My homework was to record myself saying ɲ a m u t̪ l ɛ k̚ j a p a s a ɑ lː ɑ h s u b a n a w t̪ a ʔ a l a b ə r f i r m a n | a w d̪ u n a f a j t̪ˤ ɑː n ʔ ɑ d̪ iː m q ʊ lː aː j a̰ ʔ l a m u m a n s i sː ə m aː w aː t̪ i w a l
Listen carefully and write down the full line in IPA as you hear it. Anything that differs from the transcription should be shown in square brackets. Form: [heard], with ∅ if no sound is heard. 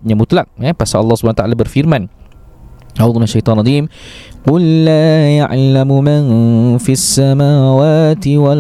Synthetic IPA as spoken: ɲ a m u t̪ l [a] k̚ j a p a s a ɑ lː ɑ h s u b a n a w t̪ a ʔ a l a b ə r f i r m a n | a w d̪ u n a [ʃ] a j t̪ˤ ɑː n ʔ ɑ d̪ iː m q ʊ lː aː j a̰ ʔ l a m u m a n [f] i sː [a] m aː w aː t̪ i w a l